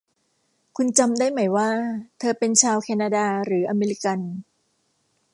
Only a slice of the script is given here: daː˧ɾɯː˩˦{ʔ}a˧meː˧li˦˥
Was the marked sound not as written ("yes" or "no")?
no